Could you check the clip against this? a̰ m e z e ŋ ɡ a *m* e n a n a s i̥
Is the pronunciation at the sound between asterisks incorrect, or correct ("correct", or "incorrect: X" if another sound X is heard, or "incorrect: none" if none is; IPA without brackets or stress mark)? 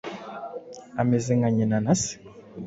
incorrect: ɲ